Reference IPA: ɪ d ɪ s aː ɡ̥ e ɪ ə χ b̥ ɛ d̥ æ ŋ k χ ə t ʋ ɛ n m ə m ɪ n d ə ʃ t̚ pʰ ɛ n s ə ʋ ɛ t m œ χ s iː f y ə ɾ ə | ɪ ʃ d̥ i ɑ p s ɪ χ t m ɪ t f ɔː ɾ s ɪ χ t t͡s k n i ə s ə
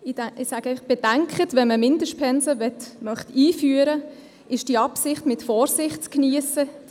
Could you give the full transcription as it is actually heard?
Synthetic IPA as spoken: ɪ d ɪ s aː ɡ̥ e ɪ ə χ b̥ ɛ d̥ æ ŋ k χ ə t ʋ ɛ n m ə m ɪ n d ə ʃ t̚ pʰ ɛ n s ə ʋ ɛ t m œ χ t iː f y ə ɾ ə | ɪ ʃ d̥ i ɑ p s ɪ χ t m ɪ t f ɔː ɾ s ɪ χ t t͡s k n i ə s ə